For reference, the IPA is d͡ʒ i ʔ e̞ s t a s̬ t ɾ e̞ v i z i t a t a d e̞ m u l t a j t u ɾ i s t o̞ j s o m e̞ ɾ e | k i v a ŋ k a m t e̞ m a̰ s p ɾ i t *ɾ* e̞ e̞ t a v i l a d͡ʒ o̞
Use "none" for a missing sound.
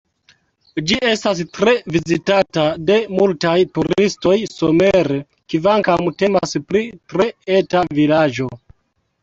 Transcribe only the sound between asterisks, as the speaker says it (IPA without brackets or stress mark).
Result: ɾ